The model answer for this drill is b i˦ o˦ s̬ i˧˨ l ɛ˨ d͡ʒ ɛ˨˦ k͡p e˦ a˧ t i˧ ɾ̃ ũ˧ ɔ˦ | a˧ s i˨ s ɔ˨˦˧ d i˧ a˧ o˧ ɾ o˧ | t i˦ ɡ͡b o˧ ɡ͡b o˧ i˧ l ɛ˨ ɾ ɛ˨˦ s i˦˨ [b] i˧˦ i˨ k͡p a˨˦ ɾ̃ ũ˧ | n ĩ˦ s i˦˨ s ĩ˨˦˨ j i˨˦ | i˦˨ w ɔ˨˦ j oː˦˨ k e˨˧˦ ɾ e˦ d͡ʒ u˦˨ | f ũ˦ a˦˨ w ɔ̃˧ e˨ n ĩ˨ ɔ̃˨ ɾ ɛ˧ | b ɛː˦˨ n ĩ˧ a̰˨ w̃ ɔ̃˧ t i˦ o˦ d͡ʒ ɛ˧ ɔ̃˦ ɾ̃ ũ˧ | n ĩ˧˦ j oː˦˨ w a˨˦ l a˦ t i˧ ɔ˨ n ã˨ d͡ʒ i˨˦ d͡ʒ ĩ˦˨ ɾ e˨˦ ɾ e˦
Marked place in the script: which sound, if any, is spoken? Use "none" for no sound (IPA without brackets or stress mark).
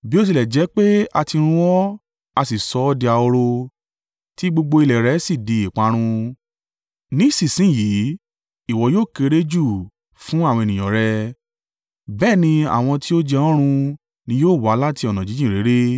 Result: d